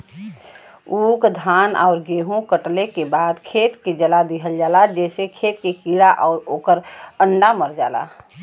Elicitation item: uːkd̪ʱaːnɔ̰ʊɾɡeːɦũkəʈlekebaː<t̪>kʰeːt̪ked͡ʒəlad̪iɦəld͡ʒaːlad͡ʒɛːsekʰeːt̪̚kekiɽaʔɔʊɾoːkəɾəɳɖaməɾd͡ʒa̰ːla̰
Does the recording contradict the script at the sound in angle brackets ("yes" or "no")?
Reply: yes